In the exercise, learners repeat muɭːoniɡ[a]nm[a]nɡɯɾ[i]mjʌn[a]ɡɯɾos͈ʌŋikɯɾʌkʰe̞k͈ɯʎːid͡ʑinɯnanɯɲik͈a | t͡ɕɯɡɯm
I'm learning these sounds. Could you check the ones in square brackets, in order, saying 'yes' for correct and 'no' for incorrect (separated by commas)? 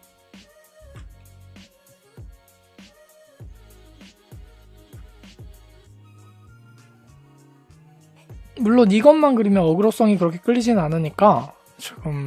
no, yes, yes, no